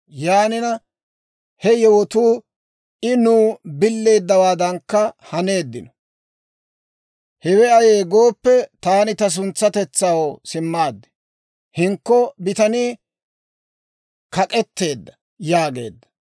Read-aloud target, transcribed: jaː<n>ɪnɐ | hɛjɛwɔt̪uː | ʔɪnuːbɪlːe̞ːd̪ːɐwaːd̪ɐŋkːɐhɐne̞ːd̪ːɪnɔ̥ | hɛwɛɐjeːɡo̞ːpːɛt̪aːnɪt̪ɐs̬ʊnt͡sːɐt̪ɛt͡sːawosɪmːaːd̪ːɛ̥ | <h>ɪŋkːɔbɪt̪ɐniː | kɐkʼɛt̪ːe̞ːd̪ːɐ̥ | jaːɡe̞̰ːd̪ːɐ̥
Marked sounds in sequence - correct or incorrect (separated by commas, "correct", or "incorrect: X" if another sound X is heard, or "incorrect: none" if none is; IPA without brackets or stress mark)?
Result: correct, correct